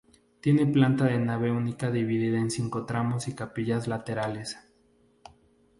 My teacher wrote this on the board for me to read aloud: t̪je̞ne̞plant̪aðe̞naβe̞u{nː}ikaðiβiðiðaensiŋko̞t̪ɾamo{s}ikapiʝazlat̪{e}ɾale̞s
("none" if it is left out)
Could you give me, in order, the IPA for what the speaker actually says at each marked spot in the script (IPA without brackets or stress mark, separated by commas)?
n, s, e